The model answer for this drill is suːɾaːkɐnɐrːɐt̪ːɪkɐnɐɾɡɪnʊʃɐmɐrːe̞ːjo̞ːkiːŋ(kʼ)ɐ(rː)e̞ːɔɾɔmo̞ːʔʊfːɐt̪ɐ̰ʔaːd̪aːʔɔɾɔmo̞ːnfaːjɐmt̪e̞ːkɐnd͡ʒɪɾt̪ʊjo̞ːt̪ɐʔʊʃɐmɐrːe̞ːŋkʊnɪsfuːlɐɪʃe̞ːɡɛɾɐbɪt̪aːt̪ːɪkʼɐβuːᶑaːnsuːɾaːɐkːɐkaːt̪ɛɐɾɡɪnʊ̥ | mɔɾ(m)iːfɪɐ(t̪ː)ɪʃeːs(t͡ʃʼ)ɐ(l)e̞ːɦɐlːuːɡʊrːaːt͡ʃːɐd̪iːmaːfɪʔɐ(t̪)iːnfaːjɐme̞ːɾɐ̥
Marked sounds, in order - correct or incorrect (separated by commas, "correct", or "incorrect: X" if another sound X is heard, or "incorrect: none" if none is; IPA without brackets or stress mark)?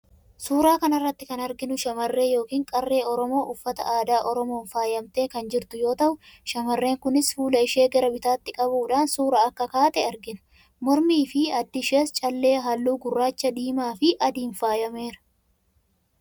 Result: correct, correct, correct, incorrect: d̪ː, correct, incorrect: lː, incorrect: d̪